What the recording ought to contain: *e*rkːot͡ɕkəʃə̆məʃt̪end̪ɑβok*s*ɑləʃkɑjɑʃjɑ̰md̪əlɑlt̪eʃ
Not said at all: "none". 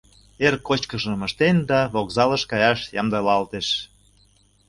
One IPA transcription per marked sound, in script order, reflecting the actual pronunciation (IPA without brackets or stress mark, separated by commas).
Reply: e, z